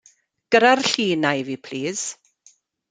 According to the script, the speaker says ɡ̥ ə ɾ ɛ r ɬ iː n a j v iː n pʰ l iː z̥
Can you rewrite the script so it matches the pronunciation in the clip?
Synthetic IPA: ɡ̥ ə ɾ a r ɬ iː n a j v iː pʰ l iː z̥